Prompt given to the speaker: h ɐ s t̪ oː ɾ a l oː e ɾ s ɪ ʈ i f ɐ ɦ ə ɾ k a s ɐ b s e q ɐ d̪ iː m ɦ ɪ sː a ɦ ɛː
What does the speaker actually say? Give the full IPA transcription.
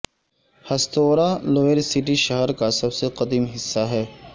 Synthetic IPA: h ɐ s t̪ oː ɾ a l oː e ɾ s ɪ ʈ i ʃ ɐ ɦ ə ɾ k a s ɐ b s e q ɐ d̪ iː m ɦ ɪ sː a ɦ ɛː